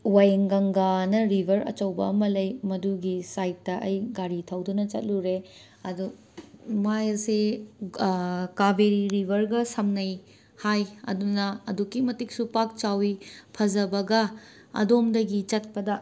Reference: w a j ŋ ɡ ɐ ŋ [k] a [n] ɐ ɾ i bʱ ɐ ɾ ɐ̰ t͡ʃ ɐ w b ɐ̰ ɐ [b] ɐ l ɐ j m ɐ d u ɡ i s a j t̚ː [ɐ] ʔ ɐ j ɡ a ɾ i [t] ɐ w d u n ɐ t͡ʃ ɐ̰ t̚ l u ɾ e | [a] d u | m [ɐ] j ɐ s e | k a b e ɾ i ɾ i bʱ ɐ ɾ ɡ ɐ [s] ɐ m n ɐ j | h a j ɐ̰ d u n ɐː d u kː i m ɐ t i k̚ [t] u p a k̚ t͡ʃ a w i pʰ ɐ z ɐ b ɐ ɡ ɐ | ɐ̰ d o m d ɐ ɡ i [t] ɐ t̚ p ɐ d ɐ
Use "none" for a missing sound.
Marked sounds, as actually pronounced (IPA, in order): ɡ, n, m, ɐ, tʰ, ɐ, a, s, s, t͡ʃ

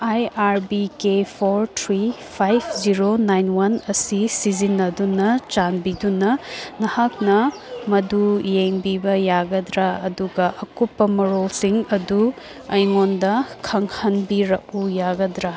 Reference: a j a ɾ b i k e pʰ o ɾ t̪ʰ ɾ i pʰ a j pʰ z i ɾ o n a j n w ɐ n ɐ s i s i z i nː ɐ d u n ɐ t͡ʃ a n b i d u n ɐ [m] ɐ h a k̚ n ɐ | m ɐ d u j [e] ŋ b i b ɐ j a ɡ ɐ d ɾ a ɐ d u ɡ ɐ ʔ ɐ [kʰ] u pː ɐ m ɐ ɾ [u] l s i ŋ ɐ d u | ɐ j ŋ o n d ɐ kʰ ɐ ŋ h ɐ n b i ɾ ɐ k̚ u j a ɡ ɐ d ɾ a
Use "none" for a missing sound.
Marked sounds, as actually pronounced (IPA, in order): n, e, k, o

